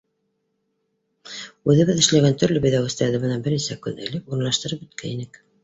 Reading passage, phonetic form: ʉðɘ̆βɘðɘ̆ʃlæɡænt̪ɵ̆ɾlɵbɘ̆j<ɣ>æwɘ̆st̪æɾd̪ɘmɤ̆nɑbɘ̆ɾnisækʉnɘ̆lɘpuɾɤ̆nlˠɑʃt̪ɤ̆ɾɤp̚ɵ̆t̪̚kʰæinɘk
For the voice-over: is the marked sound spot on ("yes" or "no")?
no